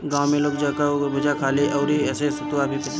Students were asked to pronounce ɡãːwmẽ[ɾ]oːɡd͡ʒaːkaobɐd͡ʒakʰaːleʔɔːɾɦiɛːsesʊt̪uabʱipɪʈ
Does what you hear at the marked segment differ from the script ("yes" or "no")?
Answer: yes